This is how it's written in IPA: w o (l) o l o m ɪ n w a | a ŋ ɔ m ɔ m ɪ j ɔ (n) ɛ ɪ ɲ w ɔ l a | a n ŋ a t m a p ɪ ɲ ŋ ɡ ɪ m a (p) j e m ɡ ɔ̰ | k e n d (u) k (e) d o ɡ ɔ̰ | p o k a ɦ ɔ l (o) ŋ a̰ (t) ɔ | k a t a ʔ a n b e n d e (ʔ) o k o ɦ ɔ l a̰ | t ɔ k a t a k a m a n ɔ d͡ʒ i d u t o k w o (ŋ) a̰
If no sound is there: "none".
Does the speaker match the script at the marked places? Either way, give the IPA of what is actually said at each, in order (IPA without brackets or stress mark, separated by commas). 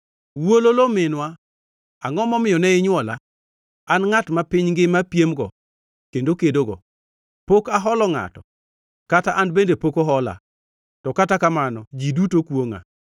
l, n, p, o, e, ɔ, t, p, ŋ